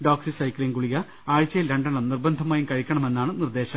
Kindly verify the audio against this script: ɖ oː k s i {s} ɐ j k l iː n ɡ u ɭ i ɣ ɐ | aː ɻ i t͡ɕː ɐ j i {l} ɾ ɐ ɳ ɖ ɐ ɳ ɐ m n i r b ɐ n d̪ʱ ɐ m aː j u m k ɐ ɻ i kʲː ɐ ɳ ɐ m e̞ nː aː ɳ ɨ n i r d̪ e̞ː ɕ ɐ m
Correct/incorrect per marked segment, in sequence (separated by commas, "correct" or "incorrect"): correct, correct